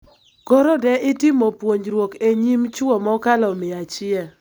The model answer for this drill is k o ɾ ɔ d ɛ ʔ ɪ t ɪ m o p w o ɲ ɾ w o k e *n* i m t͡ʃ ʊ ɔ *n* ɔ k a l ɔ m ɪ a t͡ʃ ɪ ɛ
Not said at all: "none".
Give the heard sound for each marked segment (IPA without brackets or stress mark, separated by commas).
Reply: ɲ, m